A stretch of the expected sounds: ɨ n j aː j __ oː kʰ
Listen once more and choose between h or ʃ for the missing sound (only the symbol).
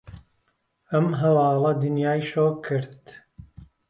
ʃ